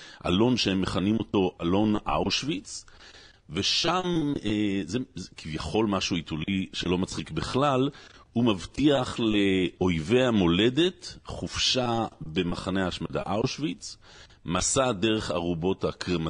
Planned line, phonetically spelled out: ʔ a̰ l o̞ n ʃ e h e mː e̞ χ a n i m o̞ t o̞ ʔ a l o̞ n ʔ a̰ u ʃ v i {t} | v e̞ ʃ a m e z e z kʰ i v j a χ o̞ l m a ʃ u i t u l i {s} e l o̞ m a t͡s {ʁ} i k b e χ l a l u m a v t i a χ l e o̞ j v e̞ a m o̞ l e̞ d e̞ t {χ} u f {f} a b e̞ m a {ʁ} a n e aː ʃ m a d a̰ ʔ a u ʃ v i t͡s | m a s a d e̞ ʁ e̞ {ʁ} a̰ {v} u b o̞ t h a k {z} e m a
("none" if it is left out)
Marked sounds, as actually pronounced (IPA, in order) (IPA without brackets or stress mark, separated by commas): t͡s, ʃ, χ, χ, ʃ, χ, χ, ʁ, ʁ